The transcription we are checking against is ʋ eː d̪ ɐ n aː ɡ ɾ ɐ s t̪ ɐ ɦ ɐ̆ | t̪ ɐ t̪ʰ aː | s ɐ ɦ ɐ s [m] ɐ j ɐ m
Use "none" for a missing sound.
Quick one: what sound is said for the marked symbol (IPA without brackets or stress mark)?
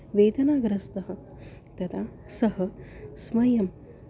m